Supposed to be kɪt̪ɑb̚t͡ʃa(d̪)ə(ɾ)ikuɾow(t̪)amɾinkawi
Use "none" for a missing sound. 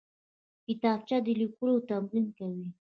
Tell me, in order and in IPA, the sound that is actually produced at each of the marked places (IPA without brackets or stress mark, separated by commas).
d̪, l, t̪